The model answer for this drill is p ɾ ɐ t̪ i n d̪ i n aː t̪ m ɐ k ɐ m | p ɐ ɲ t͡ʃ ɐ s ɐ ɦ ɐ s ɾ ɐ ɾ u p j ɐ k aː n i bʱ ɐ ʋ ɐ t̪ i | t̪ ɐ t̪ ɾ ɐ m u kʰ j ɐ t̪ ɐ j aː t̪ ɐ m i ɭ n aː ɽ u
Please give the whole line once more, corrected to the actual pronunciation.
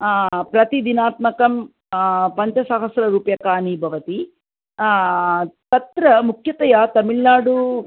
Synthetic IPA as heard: p ɾ ɐ t̪ i d̪ i n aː t̪ m ɐ k ɐ m | p ɐ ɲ t͡ʃ ɐ s ɐ ɦ ɐ s ɾ ɐ ɾ uː p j ɐ k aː n i bʱ ɐ ʋ ɐ t̪ i | t̪ ɐ t̪ ɾ ɐ m u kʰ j ɐ t̪ ɐ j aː t̪ ɐ m i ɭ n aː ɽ u